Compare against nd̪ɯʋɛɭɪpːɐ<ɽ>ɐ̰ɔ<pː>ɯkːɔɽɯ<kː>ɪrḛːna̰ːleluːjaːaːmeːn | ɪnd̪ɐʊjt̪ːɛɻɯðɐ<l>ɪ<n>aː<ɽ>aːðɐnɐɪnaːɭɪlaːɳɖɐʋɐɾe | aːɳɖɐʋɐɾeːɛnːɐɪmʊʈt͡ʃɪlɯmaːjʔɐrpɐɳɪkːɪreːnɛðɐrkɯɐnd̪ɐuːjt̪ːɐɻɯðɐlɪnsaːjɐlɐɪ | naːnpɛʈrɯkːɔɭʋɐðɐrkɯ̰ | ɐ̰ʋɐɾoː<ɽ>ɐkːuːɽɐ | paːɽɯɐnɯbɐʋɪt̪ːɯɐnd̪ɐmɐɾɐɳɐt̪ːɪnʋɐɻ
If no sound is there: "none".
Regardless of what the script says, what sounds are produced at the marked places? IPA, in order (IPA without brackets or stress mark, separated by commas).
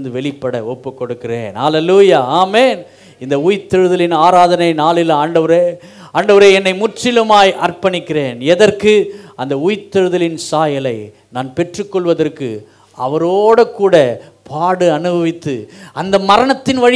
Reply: ɽ, pː, kː, l, n, ɾ, ɽ